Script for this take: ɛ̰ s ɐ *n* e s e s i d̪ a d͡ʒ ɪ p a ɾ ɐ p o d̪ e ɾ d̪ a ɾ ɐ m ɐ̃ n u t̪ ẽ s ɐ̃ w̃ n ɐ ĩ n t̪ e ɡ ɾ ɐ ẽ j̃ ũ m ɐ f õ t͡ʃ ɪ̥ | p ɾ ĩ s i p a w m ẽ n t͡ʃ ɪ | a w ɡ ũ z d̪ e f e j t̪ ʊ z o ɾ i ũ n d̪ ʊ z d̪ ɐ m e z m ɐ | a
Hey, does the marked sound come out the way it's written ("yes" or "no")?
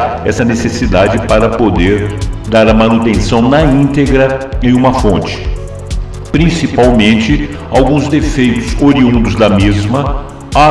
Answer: yes